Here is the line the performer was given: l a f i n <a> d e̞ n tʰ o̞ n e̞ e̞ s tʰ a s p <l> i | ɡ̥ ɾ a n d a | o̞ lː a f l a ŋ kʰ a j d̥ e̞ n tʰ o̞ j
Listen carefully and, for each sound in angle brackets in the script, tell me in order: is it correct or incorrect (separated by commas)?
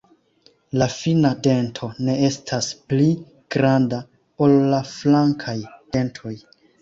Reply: correct, correct